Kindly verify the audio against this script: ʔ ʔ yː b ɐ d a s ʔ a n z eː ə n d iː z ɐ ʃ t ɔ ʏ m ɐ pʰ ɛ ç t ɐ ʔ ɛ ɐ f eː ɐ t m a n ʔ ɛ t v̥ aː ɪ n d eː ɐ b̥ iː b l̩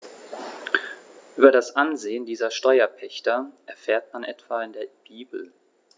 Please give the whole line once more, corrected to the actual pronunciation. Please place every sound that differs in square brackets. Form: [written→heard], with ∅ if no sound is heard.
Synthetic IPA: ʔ ʔ yː b ɐ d a s ʔ a n z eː ə n d iː z ɐ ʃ t ɔ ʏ [m→∅] ɐ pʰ ɛ ç t ɐ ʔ ɛ ɐ f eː ɐ t m a n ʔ ɛ t v̥ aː ɪ n d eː ɐ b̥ iː b l̩